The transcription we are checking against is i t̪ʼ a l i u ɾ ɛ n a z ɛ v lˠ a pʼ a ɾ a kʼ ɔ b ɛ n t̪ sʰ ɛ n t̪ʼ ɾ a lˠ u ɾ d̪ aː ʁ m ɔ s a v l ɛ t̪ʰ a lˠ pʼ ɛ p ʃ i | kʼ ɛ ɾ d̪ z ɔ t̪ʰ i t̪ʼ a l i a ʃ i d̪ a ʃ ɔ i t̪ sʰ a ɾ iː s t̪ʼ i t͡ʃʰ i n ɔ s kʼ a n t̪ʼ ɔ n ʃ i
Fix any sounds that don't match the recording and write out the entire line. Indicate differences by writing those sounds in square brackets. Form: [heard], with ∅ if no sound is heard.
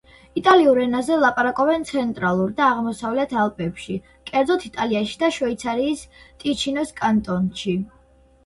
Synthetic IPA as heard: i t̪ʼ a l i u ɾ ɛ n a z ɛ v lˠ a pʼ a ɾ a kʼ ɔ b ɛ n t̪ sʰ ɛ n t̪ʼ ɾ a lˠ u ɾ d̪ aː ʁ m ɔ s a v l ɛ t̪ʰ a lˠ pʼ ɛ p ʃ i | kʼ ɛ ɾ d̪ z ɔ t̪ʰ i t̪ʼ a l i a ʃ i d̪ a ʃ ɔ i t̪ sʰ a ɾ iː s t̪ʼ i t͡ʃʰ i n ɔ s kʼ a n t̪ʼ ɔ n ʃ i